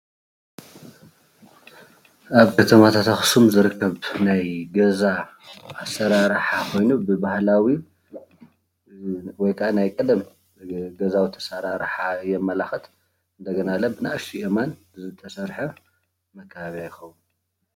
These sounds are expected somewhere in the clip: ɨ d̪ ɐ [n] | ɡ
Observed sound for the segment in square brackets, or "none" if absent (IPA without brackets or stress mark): m